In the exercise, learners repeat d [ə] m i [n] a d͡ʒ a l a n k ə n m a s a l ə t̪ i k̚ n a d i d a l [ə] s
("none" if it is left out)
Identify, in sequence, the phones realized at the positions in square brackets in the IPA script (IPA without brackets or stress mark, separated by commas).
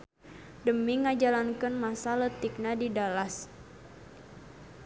ə, ŋ, a